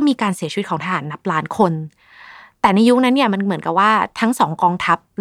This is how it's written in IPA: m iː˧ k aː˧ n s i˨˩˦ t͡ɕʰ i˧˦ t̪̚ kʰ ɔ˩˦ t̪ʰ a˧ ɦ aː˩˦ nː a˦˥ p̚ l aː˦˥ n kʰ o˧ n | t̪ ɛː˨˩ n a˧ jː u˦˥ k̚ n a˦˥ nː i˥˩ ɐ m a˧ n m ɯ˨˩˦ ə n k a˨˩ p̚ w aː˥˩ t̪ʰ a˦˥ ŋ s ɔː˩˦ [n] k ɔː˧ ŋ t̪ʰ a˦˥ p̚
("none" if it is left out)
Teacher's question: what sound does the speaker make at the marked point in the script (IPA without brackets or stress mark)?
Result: ŋ